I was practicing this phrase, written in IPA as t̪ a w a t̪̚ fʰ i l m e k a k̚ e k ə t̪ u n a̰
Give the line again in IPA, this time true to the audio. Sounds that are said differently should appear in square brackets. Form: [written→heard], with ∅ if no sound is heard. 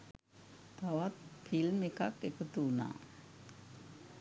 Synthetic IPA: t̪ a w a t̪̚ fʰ i l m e k a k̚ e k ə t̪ u n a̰